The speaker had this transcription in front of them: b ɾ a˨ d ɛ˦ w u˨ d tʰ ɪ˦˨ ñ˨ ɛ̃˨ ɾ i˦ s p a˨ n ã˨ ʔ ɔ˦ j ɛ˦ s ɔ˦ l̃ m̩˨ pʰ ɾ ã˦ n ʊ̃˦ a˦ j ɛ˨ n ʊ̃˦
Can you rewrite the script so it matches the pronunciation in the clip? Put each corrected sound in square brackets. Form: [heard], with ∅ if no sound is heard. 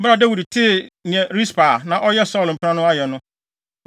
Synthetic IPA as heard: b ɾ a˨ d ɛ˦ w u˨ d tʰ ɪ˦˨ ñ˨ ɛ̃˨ ɾ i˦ s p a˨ n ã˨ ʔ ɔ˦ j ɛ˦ s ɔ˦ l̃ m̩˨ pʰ ɾ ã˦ n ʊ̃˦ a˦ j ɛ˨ n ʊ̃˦